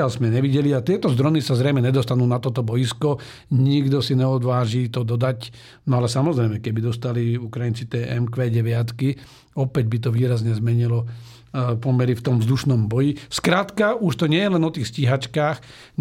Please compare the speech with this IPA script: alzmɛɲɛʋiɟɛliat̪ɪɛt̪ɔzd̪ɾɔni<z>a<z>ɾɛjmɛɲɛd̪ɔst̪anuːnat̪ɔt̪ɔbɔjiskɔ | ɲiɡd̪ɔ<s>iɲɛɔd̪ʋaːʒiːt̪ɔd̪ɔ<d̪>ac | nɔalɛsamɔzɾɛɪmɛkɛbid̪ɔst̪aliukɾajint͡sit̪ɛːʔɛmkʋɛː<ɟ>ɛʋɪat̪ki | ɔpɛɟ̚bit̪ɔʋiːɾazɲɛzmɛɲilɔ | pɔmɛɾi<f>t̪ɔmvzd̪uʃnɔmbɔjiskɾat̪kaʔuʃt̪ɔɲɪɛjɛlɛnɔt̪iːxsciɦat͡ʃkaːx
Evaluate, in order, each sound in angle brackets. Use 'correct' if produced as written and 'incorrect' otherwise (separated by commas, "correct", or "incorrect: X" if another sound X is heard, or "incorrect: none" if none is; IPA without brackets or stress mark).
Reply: incorrect: s, correct, correct, correct, correct, correct